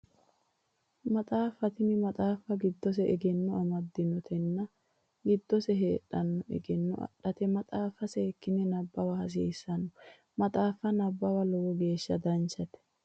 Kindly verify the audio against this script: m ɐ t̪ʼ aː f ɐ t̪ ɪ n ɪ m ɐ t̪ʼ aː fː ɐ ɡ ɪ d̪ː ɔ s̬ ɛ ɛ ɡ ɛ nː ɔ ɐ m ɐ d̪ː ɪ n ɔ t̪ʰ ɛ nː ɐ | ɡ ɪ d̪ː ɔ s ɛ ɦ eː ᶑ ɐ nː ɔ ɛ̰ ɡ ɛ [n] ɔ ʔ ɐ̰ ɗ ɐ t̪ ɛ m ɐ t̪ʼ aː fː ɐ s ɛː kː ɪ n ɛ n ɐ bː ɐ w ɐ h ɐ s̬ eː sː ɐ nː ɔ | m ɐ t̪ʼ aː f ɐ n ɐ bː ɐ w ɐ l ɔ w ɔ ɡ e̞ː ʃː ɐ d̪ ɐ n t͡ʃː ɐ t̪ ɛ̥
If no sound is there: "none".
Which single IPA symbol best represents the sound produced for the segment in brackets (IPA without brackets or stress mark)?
nː